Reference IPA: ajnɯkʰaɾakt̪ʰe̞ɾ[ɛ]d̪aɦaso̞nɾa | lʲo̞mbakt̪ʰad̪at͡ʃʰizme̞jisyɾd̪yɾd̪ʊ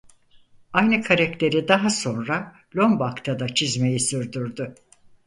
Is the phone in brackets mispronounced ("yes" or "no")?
yes